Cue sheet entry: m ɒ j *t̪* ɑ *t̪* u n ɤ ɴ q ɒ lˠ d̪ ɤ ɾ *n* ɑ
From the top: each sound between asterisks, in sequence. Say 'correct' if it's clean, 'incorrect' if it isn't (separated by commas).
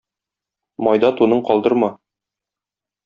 incorrect, correct, incorrect